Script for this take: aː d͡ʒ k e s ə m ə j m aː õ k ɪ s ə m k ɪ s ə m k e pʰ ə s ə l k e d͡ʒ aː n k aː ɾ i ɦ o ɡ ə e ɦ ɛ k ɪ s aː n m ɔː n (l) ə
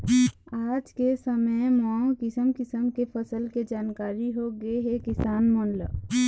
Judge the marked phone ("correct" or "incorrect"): correct